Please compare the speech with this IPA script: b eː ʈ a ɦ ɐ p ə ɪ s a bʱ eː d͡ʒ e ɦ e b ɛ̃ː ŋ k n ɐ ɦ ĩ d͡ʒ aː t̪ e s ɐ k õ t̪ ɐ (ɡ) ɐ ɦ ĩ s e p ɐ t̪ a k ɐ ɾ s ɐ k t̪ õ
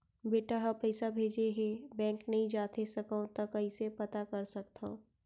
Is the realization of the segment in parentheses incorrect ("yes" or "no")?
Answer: yes